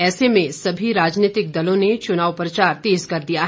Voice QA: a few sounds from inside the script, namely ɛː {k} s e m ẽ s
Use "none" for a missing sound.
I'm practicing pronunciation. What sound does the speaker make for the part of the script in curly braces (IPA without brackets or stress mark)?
none